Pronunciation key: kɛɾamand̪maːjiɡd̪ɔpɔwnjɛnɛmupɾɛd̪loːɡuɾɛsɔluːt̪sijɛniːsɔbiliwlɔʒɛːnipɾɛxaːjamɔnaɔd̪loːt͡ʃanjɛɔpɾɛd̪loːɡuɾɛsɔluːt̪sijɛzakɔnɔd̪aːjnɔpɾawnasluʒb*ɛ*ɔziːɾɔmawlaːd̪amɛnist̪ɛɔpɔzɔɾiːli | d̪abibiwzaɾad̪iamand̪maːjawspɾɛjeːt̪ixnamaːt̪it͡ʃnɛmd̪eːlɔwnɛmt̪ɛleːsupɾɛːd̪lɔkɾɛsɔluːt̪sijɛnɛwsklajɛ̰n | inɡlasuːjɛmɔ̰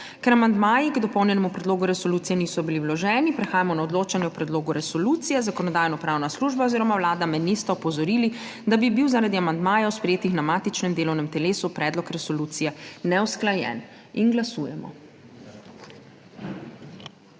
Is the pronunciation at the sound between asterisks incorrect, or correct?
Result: incorrect